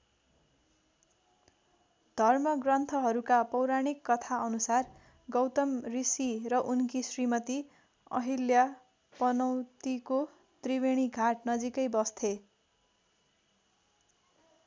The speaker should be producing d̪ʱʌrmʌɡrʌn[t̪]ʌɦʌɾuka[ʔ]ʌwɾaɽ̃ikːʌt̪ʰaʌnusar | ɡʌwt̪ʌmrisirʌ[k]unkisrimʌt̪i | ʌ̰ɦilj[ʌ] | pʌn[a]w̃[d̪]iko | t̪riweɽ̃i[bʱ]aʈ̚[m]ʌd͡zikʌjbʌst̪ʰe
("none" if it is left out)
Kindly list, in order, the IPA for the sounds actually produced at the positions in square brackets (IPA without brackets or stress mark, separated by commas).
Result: t̪ʰ, p, ʔ, a, ʌ, t̪, ɡʱ, n